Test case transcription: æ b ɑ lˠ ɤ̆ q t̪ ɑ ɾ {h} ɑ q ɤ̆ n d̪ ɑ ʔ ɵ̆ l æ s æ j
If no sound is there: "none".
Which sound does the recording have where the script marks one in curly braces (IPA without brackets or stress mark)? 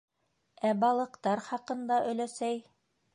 χ